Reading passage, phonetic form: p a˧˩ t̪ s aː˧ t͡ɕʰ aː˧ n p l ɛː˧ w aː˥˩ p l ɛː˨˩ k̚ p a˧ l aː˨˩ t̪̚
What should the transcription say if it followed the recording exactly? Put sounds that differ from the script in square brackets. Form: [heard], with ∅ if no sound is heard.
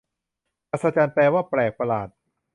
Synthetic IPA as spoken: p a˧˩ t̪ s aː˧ [t͡ɕ] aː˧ n p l ɛː˧ w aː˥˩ p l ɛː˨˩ k̚ p a˧ l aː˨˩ t̪̚